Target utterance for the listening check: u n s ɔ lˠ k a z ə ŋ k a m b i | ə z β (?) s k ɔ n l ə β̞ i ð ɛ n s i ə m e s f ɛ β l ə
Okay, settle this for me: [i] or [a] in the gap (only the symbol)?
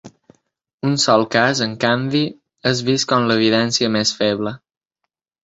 i